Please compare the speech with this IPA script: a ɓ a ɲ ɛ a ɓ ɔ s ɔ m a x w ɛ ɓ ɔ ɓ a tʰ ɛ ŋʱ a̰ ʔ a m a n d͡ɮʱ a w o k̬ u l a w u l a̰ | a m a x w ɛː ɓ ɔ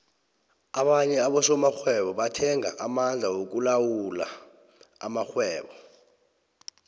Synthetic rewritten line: a ɓ a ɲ ɛ a ɓ ɔ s ɔ m a x w ɛ ɓ ɔ ɓ a tʰ ɛ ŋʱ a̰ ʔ a m a n d͡ɮʱ a w o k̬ u l a w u l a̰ | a m a x w ɛː ɓ ɔ